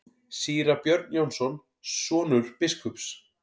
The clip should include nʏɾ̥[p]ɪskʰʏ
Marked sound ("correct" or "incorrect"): correct